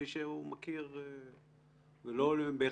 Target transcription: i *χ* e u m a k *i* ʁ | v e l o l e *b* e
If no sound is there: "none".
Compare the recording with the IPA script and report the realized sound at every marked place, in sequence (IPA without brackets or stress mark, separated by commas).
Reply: ʃ, i, b